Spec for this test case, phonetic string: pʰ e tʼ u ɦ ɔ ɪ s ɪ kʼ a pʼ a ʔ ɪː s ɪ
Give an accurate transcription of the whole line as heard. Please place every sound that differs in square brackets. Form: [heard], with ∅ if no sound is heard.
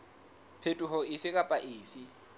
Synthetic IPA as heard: pʰ e tʼ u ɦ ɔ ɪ [f] ɪ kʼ a pʼ a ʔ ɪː [f] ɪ

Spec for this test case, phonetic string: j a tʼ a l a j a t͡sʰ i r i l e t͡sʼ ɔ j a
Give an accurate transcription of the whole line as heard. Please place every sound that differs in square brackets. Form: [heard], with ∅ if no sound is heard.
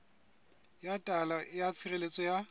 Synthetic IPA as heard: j a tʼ a l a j a t͡sʰ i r [e] l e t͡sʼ ɔ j a

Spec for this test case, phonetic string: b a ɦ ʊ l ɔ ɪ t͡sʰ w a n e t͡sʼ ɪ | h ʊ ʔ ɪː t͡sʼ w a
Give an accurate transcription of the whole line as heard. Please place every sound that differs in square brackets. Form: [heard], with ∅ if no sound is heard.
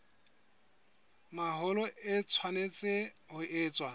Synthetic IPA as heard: [m] a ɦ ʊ l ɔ ɪ t͡sʰ w a n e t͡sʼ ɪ | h ʊ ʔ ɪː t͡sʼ w a

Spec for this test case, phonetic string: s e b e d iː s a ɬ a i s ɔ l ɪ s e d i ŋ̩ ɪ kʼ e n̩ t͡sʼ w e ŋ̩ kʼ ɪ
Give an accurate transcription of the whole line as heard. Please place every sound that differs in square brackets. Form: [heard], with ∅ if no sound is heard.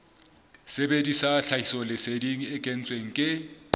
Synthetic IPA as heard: s e b e d [i] s a ɬ a i s ɔ l ɪ s e d i ŋ̩ ɪ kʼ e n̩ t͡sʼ w e ŋ̩ kʼ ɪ

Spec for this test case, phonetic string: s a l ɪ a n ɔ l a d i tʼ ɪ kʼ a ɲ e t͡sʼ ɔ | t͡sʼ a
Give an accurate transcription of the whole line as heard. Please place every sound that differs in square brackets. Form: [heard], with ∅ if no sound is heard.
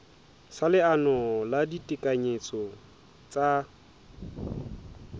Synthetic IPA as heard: s a l ɪ a n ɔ l a d i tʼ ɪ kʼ a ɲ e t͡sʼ ɔ | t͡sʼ a

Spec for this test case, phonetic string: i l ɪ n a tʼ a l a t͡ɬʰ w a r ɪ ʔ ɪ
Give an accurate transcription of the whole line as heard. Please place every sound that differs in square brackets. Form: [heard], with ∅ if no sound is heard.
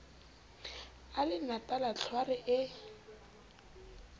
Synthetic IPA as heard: [a] l ɪ n a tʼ a l a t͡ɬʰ w a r ɪ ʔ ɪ

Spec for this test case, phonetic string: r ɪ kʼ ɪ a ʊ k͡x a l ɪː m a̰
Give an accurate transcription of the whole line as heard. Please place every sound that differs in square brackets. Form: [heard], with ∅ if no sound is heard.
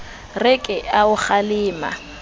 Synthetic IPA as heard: r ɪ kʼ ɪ a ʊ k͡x a l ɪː m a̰

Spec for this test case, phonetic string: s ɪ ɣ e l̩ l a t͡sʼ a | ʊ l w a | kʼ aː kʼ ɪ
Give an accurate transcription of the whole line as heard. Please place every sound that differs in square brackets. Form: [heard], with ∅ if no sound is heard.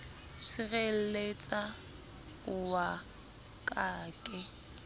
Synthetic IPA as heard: s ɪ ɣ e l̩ l [e] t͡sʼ a | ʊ [∅] w a | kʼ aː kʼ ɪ

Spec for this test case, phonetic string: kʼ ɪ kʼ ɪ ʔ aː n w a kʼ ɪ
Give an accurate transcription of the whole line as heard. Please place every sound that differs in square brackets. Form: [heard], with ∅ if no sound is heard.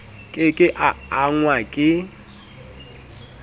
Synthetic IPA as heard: kʼ ɪ kʼ ɪ ʔ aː [ŋ] w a kʼ ɪ

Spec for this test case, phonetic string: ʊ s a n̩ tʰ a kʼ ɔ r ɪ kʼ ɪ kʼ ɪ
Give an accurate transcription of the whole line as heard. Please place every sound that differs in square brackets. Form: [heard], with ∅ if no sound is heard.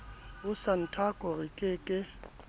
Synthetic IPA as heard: ʊ s a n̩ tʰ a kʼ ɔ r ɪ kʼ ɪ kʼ ɪ

